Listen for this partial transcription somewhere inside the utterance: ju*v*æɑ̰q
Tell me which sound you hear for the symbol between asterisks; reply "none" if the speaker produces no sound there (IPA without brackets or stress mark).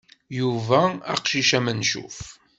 v